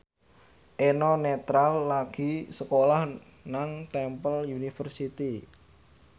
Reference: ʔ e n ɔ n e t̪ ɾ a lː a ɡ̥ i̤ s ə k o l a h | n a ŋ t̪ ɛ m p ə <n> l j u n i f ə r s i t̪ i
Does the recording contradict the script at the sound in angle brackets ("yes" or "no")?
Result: yes